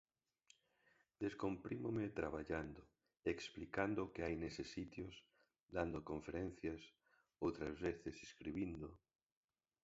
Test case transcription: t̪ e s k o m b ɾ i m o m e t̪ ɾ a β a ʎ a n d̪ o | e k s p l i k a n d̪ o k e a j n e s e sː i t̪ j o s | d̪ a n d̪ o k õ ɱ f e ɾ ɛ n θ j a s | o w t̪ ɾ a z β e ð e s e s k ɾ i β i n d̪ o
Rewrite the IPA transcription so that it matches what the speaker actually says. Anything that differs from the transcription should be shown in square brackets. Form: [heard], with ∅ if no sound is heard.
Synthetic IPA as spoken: [d̪] e s k o m [p] ɾ i m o m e t̪ ɾ a β a ʎ a n d̪ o | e k s p l i k a n d̪ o k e a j n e s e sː i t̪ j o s | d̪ a n d̪ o k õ ɱ f e ɾ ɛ n θ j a s | o w t̪ ɾ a z β e [θ] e s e s k ɾ i β i n d̪ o